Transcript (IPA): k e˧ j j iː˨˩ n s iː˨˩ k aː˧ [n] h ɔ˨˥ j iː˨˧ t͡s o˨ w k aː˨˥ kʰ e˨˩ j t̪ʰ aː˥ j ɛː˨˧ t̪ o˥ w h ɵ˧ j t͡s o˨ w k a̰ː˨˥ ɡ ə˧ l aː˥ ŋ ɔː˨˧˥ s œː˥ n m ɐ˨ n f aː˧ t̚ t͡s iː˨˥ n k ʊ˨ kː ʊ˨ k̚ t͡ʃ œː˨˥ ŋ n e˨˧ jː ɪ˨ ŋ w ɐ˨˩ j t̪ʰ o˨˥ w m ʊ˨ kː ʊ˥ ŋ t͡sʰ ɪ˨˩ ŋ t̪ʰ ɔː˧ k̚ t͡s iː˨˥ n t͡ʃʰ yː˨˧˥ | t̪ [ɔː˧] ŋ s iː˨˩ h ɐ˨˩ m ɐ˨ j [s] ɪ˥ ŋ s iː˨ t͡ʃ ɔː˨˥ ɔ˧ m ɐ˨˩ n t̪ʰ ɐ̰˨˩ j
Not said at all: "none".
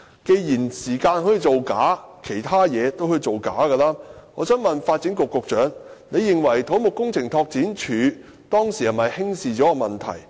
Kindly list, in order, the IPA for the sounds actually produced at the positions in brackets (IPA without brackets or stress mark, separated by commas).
n, ɔː˥, h